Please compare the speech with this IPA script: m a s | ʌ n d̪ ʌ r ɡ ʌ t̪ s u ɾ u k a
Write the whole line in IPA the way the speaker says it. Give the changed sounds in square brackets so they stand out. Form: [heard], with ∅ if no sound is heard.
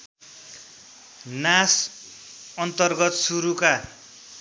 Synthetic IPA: [n] a s | ʌ n [t̪] ʌ r ɡ ʌ t̪ s u ɾ u k a

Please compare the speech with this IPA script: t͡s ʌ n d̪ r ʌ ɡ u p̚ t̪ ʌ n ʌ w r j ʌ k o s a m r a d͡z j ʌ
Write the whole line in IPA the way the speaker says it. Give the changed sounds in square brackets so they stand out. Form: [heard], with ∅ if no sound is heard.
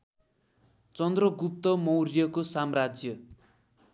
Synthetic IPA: t͡s ʌ n d̪ r ʌ ɡ u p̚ t̪ ʌ [m] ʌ w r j ʌ k o s a m r a d͡z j ʌ

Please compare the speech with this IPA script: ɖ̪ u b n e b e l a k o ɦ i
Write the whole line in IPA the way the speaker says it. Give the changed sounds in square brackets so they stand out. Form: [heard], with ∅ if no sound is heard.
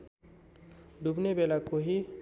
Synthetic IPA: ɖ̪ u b n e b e l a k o ɦ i

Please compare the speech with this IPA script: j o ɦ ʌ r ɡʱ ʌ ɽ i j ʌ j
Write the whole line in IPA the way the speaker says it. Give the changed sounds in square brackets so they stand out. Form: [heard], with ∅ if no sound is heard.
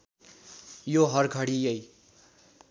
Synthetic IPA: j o ɦ ʌ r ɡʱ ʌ ɽ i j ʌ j

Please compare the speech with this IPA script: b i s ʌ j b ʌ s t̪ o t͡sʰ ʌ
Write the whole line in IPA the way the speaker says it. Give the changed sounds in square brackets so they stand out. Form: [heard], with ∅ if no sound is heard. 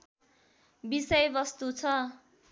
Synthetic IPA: b i s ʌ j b ʌ s t̪ [u] t͡sʰ ʌ

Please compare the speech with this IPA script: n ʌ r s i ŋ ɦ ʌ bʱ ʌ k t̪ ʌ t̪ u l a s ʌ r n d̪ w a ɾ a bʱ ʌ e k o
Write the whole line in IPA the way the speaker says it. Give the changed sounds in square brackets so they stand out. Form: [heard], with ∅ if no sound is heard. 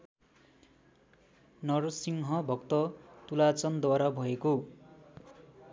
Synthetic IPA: n ʌ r s i ŋ ɦ ʌ bʱ ʌ k t̪ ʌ t̪ u l a [t͡s] ʌ [∅] n d̪ w a ɾ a bʱ ʌ e k o

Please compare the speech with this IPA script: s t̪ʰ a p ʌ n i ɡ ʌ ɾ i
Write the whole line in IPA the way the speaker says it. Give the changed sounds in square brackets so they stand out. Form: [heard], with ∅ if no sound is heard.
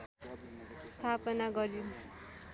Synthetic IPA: s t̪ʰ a p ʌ n [a] ɡ ʌ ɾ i

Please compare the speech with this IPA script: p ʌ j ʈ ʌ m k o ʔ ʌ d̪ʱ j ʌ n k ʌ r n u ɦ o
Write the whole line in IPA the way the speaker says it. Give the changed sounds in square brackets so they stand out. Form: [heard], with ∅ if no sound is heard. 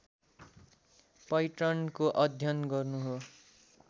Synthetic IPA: p ʌ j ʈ ʌ [n] k o ʔ ʌ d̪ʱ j ʌ n [ɡ] ʌ r n u ɦ o

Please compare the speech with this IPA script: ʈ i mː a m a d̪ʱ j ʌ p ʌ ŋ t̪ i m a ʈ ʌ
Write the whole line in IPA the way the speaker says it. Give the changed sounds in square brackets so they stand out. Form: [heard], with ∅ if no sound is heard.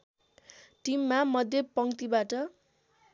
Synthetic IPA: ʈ i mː a m [ʌ] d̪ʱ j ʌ p ʌ ŋ t̪ i [b] a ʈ ʌ

